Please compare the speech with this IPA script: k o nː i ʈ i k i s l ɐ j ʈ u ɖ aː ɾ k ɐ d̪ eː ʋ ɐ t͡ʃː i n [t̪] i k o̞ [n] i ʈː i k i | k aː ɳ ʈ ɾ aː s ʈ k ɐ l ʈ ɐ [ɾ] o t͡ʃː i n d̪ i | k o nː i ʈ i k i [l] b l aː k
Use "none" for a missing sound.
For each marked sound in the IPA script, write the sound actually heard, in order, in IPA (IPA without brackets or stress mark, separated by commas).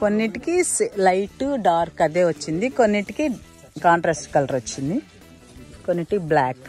d̪, nː, ɾ, none